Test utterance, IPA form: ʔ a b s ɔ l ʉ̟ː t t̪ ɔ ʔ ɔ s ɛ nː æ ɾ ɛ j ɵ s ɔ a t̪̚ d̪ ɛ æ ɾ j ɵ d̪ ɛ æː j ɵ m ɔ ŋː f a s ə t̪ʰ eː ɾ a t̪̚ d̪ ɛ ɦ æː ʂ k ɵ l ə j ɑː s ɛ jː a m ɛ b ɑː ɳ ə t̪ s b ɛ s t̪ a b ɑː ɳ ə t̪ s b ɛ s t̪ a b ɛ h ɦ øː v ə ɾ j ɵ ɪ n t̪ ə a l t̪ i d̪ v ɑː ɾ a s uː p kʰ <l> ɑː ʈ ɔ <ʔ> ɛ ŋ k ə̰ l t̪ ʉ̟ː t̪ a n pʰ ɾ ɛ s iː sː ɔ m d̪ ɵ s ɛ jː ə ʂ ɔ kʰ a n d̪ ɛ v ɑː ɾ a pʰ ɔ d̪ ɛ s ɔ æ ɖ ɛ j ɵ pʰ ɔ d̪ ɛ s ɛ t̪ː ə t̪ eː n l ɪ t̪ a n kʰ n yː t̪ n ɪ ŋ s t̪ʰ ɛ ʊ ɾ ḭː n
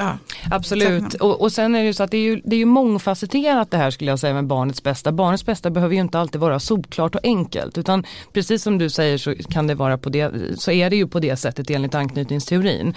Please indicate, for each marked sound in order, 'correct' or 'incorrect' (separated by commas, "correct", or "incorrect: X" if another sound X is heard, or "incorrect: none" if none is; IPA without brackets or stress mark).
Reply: correct, correct